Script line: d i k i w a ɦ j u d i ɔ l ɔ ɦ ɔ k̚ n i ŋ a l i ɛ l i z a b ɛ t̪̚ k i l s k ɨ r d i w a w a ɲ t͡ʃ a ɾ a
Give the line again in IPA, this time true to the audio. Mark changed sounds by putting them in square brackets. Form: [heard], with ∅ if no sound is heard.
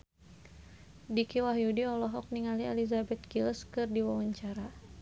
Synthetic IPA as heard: d i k i w a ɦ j u d i ɔ l ɔ ɦ ɔ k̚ n i ŋ a l i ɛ l i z a b ɛ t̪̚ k i l s k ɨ r d i w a w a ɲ t͡ʃ a ɾ a